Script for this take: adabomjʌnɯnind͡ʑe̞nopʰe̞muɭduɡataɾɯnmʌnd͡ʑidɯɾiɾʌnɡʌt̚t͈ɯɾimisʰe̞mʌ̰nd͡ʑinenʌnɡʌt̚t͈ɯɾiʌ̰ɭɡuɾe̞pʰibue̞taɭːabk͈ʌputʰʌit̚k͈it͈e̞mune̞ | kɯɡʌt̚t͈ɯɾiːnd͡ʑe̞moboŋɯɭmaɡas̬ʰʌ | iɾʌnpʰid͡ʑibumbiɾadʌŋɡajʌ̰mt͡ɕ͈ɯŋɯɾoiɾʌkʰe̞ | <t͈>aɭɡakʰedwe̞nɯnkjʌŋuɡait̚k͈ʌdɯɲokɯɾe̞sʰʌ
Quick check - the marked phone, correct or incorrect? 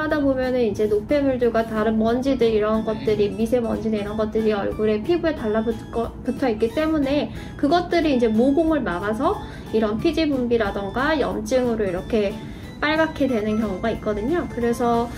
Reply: incorrect: p͈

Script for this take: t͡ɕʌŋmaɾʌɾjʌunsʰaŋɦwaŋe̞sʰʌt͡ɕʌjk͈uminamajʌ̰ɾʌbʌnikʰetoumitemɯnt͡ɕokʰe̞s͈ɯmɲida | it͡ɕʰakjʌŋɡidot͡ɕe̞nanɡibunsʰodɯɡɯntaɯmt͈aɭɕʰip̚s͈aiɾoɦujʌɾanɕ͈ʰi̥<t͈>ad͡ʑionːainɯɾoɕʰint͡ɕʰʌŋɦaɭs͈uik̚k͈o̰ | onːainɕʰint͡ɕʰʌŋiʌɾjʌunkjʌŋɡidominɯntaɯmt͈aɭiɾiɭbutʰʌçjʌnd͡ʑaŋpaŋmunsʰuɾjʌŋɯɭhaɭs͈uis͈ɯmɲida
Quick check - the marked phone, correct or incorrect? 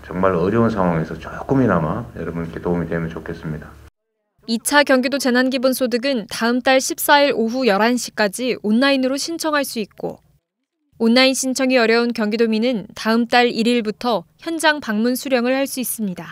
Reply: incorrect: k͈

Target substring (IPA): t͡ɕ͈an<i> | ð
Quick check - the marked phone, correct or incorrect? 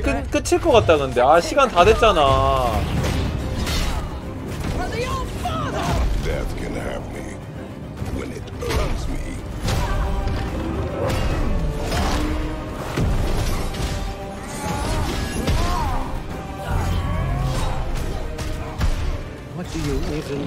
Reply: incorrect: a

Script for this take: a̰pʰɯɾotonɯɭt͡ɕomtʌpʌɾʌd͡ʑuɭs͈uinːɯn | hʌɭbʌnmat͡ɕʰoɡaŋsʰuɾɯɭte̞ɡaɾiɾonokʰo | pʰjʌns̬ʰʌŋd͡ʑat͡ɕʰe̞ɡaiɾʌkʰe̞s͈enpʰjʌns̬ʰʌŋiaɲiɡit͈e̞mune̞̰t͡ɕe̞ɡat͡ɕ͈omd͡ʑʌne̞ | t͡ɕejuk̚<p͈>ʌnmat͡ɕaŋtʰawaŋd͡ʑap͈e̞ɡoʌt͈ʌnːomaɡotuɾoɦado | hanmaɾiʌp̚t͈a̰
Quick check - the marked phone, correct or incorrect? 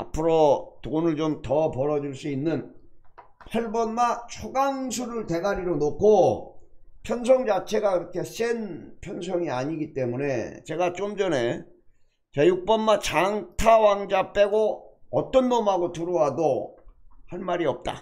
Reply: correct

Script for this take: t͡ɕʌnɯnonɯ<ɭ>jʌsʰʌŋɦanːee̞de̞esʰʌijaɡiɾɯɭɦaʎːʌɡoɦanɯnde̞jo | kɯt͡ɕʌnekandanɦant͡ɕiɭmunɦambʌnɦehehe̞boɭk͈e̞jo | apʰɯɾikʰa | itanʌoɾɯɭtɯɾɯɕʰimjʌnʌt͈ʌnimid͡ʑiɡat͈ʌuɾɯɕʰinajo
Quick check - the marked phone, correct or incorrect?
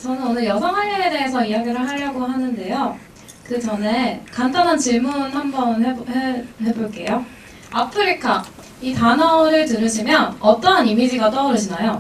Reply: correct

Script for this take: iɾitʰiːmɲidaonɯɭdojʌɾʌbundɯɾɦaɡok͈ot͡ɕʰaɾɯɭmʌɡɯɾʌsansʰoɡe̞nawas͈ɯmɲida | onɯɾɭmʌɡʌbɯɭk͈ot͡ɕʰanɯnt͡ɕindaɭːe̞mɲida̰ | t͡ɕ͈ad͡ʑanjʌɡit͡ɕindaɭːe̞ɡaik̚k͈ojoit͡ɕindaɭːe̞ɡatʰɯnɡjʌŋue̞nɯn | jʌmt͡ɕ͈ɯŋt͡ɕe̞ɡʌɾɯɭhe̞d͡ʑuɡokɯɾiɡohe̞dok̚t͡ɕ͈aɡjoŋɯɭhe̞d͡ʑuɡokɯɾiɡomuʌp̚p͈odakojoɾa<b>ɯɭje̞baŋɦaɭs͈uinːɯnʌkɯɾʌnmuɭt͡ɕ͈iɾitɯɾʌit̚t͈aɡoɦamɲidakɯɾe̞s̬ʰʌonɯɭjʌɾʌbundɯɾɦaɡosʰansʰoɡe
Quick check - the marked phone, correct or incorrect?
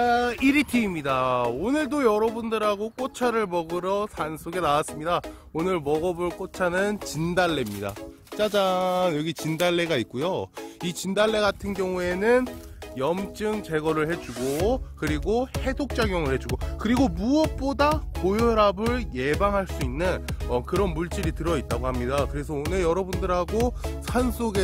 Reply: correct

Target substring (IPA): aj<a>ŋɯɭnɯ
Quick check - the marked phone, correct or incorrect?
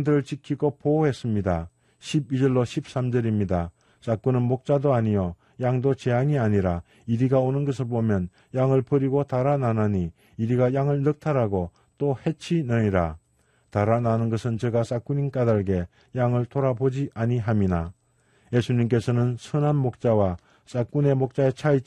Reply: correct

